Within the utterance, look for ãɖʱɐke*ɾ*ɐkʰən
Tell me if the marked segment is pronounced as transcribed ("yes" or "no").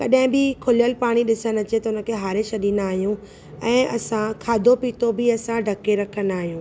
yes